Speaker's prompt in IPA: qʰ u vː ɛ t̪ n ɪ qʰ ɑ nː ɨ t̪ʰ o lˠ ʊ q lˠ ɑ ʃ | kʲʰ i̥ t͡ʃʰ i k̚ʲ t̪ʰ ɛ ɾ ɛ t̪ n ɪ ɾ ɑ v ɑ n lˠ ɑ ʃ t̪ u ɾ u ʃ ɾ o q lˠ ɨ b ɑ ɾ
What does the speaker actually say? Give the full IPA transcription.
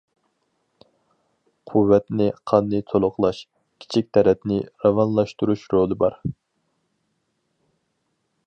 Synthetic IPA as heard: qʰ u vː ɛ t̪ n ɪ qʰ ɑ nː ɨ t̪ʰ o lˠ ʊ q lˠ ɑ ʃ | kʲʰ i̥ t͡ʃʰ i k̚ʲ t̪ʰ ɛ ɾ ɛ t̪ n ɪ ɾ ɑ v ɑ n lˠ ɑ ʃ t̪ u ɾ u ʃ ɾ o lˠ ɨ b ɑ ɾ

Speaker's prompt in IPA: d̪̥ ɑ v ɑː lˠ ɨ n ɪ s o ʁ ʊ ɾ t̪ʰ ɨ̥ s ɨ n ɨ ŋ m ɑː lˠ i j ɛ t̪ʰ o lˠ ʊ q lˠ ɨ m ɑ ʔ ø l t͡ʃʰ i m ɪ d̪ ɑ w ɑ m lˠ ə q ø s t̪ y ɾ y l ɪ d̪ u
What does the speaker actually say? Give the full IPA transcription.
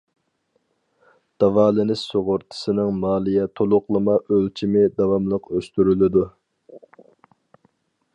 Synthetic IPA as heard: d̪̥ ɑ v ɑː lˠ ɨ n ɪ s o ʁ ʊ ɾ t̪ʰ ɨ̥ s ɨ n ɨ ŋ m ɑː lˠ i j ɛ t̪ʰ o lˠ ʊ q lˠ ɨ m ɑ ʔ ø l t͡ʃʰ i m ɪ d̪ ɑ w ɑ m lˠ ə q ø s t̪ y ɾ y l ɪ d̪ u

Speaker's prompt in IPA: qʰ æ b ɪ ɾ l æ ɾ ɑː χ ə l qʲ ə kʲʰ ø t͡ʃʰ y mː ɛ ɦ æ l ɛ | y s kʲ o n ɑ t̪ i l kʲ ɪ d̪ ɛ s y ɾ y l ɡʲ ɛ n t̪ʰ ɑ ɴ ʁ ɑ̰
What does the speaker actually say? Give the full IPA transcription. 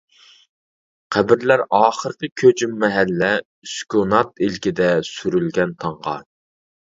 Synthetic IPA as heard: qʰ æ b ɪ ɾ l æ ɾ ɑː χ ə ɾ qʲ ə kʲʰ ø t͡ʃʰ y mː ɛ ɦ æ lː ɛ | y s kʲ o n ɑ t̪ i l kʲ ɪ d̪ ɛ s y ɾ y l ɡʲ ɛ n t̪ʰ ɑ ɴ ʁ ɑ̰

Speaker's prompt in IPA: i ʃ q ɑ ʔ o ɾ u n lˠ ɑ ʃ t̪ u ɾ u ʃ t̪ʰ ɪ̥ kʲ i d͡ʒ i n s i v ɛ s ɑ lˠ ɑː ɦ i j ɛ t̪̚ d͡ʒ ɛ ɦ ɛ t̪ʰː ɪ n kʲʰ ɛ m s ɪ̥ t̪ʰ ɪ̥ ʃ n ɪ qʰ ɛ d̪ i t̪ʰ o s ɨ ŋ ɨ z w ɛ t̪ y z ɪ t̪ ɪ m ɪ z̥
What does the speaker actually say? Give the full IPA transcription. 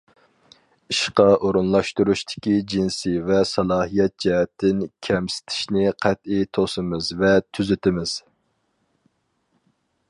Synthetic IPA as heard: i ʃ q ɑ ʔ o ɾ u n lˠ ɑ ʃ t̪ u ɾ u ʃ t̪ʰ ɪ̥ kʲ i d͡ʒ i n s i v ɛ s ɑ lˠ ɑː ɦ i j ɛ t̪̚ d͡ʒ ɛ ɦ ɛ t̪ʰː ɪ n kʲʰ ɛ m s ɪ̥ t̪ʰ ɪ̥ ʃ n ɪ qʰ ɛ t̪ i t̪ʰ o s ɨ m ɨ z v ɛ t̪ʰ y z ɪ t̪ ɪ m ɪ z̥

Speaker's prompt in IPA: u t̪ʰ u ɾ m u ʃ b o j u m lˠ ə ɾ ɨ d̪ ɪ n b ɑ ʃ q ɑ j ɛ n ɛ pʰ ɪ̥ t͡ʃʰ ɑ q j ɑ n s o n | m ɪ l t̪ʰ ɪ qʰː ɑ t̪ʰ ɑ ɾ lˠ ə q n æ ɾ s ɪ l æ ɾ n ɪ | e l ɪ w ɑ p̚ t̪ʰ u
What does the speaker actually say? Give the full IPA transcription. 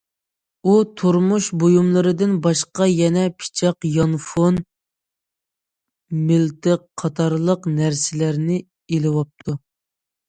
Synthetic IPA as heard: u t̪ʰ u ɾ m u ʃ b o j u m lˠ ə ɾ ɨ d̪ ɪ n b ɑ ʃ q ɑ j ɛ n ɛ pʰ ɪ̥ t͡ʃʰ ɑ q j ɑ n f o n | m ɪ l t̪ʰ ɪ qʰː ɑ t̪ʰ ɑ ɾ lˠ ə q n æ ɾ s ɪ l æ ɾ n ɪ | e l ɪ w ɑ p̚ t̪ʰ u

